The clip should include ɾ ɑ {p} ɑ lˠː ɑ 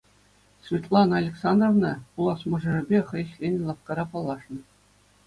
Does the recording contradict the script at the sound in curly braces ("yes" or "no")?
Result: no